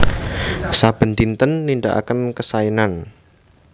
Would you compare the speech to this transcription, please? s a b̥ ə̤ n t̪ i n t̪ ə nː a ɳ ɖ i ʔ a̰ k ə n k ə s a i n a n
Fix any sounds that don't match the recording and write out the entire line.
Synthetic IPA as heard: s a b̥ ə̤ n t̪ i n t̪ ə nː i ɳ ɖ a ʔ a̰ k ə n k ə s a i n a n